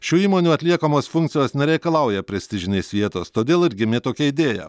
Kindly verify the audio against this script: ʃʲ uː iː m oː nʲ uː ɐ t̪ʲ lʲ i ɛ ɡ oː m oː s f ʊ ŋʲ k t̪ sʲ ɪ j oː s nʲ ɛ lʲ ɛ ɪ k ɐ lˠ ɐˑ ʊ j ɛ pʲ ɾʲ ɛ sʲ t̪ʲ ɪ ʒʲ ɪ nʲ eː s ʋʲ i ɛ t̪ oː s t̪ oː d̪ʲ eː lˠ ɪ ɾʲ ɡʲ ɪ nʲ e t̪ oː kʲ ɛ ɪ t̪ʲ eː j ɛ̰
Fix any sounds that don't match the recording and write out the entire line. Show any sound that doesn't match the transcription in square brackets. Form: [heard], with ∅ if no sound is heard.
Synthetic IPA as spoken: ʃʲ uː iː m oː nʲ uː ɐ t̪ʲ lʲ i ɛ [k] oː m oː s f ʊ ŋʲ k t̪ sʲ ɪ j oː s nʲ ɛ [ɾʲ] ɛ ɪ k ɐ lˠ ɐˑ ʊ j ɛ pʲ ɾʲ ɛ sʲ t̪ʲ ɪ ʒʲ ɪ nʲ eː s ʋʲ i ɛ t̪ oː s t̪ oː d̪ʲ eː lˠ ɪ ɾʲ ɡʲ ɪ [mʲ] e t̪ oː kʲ ɛ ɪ [d̪ʲ] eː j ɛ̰